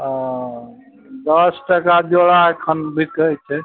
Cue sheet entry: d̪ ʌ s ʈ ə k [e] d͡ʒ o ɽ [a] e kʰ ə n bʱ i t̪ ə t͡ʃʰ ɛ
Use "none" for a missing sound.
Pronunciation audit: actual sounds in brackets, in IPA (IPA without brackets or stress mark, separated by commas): a, a